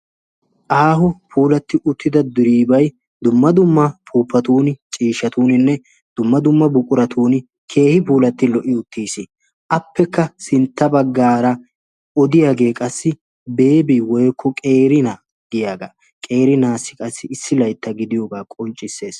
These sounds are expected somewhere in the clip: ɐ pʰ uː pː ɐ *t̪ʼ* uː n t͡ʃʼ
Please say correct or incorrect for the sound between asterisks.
incorrect